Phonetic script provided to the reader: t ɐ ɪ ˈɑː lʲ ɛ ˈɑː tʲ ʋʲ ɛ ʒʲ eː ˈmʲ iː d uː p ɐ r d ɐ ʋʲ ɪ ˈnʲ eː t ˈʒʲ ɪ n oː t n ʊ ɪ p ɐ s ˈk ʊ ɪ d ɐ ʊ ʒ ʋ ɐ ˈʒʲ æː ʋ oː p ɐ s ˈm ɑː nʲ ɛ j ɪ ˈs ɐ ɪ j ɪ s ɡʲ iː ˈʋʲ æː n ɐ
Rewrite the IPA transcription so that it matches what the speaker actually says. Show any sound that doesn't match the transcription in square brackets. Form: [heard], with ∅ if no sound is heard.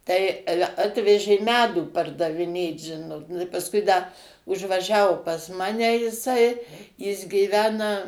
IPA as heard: t ɐ ɪ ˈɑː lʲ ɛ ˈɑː tʲ ʋʲ ɛ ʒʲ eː ˈmʲ [æː] d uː p ɐ r d ɐ ʋʲ ɪ ˈnʲ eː t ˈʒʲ ɪ n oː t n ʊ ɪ p ɐ s ˈk ʊ ɪ d ɐ ʊ ʒ ʋ ɐ ˈʒʲ æː ʋ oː p ɐ s ˈm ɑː nʲ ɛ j ɪ ˈs ɐ ɪ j ɪ s ɡʲ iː ˈʋʲ æː n ɐ